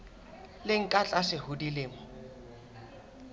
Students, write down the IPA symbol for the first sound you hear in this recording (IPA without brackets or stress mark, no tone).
l